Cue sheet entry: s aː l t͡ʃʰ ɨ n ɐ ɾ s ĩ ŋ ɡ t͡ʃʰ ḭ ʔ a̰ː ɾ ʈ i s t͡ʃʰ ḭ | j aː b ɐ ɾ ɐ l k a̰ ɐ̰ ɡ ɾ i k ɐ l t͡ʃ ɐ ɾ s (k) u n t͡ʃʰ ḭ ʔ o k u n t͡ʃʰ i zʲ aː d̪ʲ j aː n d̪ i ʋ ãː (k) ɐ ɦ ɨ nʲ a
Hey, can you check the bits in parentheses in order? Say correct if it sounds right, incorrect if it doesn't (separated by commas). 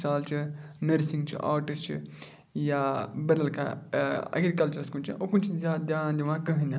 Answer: correct, correct